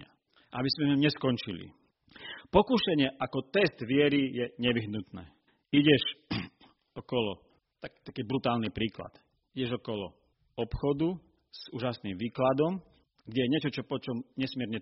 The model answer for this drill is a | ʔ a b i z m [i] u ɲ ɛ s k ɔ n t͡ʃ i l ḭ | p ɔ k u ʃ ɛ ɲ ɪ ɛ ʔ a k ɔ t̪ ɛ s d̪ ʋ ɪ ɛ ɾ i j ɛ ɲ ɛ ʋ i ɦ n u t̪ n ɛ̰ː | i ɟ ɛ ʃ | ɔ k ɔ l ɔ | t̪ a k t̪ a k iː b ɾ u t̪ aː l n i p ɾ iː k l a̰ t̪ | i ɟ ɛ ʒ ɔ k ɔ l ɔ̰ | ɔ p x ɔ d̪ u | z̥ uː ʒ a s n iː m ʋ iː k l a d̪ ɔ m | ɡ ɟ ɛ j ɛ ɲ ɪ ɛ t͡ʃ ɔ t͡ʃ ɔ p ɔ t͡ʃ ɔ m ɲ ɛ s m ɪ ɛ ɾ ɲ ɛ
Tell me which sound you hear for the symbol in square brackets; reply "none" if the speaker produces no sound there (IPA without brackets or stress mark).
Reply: ɛ